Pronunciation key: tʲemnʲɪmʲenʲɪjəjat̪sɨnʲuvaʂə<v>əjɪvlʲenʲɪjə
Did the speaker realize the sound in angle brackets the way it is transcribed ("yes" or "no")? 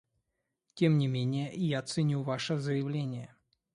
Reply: no